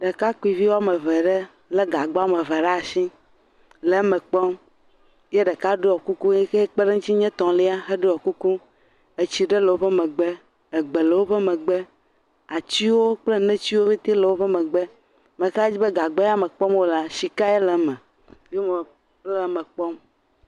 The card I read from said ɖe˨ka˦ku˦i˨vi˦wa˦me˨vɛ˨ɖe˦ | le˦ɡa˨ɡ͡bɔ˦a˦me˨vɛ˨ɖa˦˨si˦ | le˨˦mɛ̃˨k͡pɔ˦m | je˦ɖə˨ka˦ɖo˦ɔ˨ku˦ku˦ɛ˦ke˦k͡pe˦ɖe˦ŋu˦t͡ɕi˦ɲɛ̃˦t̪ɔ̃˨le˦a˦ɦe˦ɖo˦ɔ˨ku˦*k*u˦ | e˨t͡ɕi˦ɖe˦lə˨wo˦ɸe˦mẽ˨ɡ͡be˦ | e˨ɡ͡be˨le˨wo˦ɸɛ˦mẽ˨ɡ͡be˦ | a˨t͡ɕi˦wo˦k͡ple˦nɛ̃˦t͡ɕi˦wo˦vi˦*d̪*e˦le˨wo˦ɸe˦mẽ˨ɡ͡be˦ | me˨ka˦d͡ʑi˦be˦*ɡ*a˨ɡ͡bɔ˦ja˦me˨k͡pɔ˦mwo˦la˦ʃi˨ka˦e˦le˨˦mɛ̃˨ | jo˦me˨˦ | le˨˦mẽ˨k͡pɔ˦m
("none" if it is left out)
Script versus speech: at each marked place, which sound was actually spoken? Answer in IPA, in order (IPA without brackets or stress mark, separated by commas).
k, t̪, ɡ